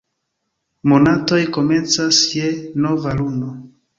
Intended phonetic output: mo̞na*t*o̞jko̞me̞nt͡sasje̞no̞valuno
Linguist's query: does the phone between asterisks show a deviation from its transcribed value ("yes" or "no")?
no